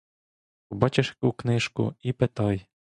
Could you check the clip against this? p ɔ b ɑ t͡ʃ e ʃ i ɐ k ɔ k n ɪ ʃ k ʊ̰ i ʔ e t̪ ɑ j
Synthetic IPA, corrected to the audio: p ɔ b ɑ t͡ʃ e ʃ j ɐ k u k n ɪ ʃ k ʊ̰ i p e t̪ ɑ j

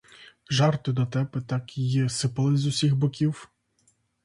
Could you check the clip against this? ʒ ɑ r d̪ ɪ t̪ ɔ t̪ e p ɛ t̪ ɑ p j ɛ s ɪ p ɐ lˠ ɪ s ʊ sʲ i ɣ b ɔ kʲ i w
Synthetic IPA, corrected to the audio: ʒ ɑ r t̪ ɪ d̪ ɔ t̪ ɛ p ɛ t̪ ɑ k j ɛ s ɪ p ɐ lˠ ɪ z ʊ sʲ i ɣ b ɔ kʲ i w

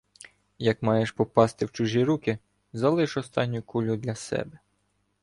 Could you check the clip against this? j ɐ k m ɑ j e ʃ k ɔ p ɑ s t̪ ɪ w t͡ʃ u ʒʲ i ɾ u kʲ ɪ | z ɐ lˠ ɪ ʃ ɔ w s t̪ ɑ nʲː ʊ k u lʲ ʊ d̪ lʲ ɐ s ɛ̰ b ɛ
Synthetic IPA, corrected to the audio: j ɐ k m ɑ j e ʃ p ɔ p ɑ s t̪ ɪ w t͡ʃ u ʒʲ i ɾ u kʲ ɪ | z ɐ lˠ ɪ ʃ ɔ s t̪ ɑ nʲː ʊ k u lʲ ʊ d̪ lʲ ɐ s ɛ̰ b ɛ

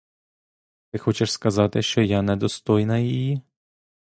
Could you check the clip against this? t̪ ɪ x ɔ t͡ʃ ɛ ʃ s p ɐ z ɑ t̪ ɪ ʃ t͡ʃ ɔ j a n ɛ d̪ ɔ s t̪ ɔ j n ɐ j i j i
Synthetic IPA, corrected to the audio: t̪ ɪ x ɔ t͡ʃ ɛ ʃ s k ɐ z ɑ t̪ ɪ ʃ t͡ʃ ɔ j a n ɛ d̪ ɔ s t̪ ɔ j n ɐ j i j i

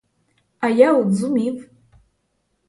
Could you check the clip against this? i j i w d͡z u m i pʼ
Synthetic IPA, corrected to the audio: a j a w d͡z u m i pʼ

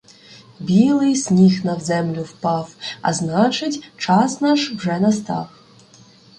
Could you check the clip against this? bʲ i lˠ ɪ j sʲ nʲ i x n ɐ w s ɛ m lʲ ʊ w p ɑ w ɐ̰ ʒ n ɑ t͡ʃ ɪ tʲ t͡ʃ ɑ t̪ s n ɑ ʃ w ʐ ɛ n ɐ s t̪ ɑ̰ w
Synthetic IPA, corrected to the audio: bʲ i lˠ ɪ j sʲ nʲ i x n ɐ w z ɛ m lʲ ʊ w p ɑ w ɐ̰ z n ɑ t͡ʃ ɪ tʲ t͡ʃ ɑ s n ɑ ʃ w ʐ ɛ n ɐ s t̪ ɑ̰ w

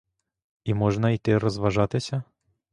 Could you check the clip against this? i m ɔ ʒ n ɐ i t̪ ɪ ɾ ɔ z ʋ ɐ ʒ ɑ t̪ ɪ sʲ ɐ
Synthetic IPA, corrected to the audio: i m ɔ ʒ n ɐ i t̪ ɪ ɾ ɔ z ʋ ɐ ʒ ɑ t̪ ɪ sʲ ɐ

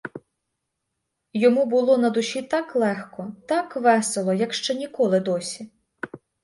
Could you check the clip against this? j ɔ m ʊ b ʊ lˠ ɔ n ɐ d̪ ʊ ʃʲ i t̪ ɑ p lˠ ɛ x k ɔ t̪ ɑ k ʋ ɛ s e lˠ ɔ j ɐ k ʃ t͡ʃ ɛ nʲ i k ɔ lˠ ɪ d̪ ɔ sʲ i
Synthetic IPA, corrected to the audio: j ɔ m u b ʊ lˠ ɔ n ɐ d̪ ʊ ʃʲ i t̪ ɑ k lˠ ɛ x k ɔ t̪ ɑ k ʋ ɛ s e lˠ ɔ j ɐ k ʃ t͡ʃ ɛ nʲ i k ɔ lˠ ɪ d̪ ɔ sʲ i

